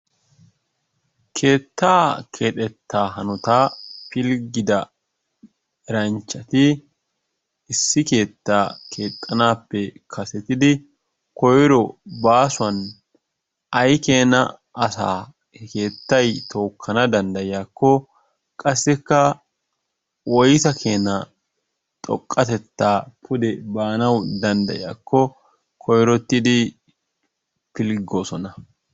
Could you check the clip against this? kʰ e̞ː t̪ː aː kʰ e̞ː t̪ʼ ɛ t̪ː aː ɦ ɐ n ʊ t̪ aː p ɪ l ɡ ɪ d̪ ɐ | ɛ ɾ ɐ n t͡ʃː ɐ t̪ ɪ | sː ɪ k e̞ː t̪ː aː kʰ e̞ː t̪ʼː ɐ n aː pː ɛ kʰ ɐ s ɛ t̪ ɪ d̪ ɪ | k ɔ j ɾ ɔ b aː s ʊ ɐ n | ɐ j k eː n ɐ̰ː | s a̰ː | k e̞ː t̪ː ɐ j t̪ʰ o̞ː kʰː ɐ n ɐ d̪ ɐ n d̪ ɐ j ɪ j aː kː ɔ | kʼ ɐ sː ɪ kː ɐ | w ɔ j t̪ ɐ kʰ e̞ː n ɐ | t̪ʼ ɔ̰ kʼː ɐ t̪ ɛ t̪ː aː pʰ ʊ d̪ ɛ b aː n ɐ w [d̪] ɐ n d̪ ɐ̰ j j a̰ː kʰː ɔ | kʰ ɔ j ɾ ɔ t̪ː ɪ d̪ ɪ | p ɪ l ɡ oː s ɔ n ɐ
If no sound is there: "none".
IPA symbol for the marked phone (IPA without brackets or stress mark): d̪